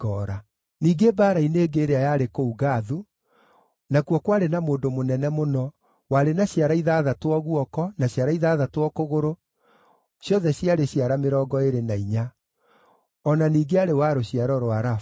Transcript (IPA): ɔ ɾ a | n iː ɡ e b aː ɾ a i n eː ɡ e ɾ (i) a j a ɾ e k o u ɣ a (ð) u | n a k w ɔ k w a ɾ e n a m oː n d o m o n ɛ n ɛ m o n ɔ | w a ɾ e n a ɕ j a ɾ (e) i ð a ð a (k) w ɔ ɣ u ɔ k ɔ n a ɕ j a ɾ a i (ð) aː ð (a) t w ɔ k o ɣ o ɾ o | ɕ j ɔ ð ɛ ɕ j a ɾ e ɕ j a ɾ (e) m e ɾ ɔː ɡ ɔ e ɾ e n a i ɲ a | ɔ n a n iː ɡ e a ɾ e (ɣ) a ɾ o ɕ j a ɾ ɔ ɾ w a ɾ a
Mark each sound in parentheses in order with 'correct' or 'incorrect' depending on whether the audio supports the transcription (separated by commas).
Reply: incorrect, correct, incorrect, incorrect, correct, correct, incorrect, incorrect